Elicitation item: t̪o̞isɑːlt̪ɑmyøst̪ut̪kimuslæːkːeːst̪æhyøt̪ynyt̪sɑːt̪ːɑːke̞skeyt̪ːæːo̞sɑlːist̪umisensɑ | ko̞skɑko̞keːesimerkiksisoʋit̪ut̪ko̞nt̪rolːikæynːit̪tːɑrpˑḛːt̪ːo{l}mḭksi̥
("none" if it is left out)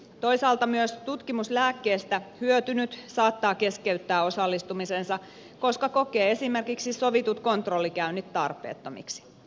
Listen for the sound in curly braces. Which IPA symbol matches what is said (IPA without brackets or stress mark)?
none